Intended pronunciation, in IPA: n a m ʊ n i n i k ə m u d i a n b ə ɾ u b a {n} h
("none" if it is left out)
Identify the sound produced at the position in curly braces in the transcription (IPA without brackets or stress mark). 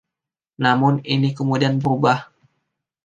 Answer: none